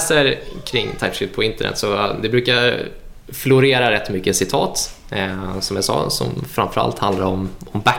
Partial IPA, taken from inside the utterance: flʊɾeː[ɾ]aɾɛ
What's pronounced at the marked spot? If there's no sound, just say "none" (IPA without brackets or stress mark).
ɾ